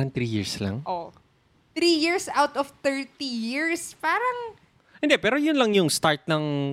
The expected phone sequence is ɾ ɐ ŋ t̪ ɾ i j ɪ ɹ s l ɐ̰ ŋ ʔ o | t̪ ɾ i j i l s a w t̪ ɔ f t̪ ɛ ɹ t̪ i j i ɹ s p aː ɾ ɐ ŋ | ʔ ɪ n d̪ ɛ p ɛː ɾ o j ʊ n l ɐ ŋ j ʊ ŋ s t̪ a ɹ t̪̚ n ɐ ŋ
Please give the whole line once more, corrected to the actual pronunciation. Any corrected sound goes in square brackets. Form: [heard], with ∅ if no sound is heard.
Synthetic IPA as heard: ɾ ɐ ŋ t̪ ɾ i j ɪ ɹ s l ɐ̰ ŋ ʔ o | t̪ ɾ i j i [ɹ] s a w t̪ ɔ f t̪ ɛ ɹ t̪ i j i ɹ s p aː ɾ ɐ ŋ | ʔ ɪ n d̪ ɛ p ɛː ɾ o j ʊ n l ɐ ŋ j ʊ ŋ s t̪ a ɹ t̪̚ n ɐ ŋ